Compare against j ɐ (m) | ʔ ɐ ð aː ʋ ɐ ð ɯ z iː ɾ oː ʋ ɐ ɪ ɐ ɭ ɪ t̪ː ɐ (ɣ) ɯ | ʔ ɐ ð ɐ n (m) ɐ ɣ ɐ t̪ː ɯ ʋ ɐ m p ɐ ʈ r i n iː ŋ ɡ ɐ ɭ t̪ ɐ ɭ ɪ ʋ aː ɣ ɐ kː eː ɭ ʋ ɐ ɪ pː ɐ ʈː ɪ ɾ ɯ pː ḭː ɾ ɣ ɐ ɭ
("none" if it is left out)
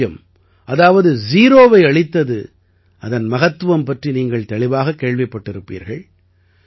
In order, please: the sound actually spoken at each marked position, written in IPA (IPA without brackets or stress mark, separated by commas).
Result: m, ð, m